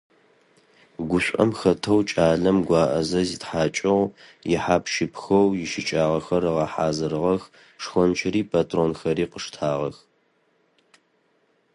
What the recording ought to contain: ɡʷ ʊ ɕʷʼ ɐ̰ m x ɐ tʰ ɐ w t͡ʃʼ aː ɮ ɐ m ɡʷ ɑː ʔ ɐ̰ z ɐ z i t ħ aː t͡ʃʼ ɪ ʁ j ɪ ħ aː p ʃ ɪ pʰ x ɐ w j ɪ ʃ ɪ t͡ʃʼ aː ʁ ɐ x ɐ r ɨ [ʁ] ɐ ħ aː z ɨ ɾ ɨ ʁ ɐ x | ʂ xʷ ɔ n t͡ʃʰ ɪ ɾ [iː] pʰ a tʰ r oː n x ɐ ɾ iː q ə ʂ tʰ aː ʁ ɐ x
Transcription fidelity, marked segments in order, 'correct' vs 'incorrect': correct, correct

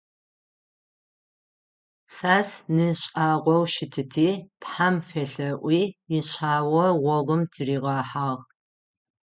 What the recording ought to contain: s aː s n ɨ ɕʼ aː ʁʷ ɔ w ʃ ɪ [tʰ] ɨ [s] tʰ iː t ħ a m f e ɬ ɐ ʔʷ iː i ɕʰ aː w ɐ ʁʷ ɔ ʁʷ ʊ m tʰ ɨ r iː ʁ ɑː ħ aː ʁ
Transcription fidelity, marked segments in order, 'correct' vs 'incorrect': correct, incorrect

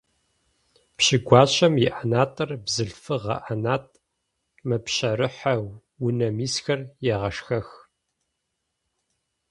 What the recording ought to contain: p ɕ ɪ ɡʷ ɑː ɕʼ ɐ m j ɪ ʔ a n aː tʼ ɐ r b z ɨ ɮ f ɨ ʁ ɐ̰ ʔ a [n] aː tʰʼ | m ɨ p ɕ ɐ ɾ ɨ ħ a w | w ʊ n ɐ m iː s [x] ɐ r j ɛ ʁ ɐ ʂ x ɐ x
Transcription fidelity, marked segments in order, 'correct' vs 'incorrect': correct, correct

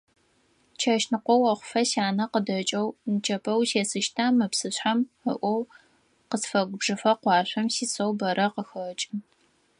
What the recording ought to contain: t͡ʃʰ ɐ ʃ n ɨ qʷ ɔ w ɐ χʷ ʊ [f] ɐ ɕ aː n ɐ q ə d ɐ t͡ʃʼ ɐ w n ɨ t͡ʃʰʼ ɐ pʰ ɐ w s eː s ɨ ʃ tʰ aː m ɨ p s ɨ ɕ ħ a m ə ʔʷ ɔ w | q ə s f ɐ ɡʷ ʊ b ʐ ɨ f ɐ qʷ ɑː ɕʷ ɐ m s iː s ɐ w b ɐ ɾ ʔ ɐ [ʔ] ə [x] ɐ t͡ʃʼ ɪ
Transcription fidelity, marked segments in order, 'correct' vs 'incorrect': correct, incorrect, correct

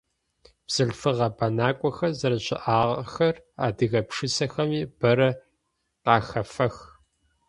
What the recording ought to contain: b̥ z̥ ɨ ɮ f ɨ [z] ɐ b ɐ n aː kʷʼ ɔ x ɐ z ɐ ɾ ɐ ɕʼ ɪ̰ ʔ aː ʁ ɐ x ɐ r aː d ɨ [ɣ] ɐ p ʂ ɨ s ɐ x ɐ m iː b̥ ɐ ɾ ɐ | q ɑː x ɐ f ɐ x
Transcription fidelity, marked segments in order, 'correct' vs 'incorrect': incorrect, correct

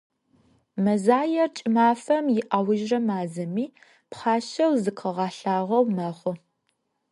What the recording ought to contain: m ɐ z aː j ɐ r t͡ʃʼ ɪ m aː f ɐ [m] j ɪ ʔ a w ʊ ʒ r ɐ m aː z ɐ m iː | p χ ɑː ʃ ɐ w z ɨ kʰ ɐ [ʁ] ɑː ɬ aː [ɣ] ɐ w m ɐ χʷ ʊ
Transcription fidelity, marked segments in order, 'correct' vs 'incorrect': correct, correct, incorrect

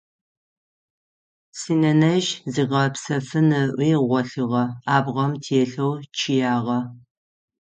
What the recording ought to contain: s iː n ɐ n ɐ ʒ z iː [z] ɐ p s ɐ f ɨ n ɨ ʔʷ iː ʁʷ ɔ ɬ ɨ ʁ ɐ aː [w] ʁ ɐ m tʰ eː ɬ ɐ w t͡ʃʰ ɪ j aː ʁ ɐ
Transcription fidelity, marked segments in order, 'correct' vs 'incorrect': incorrect, incorrect

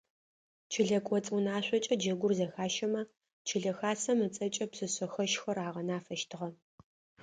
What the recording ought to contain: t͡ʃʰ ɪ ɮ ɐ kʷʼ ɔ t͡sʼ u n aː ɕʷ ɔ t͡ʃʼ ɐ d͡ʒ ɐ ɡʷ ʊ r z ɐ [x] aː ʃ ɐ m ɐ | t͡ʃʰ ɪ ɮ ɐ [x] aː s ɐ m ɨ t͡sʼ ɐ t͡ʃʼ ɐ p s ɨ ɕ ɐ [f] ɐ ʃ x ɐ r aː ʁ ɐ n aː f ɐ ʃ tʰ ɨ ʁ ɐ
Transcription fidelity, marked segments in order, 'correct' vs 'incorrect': correct, correct, incorrect

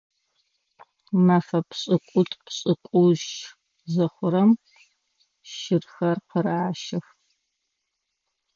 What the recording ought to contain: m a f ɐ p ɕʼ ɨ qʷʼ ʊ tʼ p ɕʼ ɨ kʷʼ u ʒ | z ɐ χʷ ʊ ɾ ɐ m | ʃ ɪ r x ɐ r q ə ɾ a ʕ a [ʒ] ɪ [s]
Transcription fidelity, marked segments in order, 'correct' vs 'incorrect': incorrect, incorrect

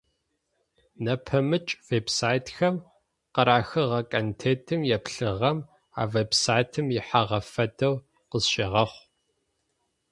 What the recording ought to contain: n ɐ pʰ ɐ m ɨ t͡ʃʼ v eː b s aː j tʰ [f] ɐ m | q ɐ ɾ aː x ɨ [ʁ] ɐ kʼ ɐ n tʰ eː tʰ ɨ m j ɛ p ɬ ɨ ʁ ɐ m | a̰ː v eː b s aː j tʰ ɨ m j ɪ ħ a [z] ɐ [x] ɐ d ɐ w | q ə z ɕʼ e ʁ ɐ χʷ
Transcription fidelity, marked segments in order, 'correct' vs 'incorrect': incorrect, correct, incorrect, incorrect

